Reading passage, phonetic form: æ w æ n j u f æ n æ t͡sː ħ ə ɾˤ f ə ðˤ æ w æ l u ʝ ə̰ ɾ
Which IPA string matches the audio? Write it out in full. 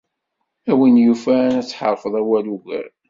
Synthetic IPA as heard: æ w i n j u f æ n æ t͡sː ħ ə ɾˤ f ə ðˤ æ w æ l u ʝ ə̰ ɾ